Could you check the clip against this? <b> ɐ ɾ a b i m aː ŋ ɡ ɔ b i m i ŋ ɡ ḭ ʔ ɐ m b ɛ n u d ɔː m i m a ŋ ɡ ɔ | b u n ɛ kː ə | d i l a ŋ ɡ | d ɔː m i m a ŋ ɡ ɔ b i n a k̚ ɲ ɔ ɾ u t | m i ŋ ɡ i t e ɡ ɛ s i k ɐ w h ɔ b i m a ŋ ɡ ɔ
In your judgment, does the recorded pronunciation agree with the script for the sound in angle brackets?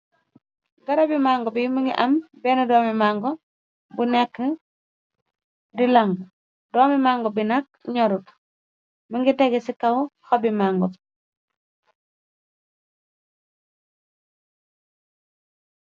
no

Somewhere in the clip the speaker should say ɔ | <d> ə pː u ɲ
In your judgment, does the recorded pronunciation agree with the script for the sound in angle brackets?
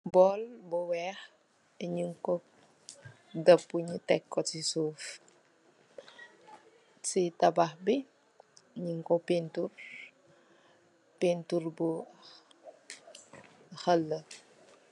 yes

